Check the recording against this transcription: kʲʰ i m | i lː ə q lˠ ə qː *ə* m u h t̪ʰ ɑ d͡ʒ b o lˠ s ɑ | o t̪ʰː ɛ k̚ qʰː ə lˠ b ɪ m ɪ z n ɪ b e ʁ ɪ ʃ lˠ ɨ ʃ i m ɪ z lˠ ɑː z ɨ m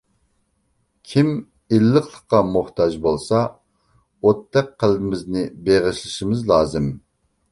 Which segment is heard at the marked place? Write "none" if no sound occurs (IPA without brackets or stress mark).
ɑ